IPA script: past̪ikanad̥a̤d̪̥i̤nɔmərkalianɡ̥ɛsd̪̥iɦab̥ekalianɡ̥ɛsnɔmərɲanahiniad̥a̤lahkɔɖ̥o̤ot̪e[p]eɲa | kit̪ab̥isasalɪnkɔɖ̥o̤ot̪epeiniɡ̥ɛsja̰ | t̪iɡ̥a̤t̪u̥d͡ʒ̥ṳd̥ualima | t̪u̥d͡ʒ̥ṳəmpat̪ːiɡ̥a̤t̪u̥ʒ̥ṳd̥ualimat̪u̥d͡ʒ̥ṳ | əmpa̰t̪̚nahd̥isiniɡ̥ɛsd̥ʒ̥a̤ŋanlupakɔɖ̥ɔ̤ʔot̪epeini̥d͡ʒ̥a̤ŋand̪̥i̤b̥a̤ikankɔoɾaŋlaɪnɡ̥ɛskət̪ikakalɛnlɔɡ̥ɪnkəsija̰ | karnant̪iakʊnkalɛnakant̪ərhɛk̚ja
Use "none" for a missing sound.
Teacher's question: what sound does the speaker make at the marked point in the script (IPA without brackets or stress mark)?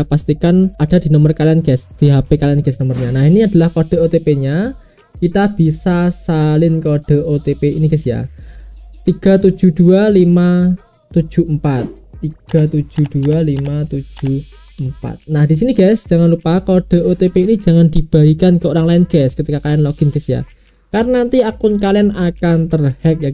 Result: p